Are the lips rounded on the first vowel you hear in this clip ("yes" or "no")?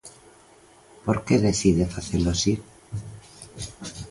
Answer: yes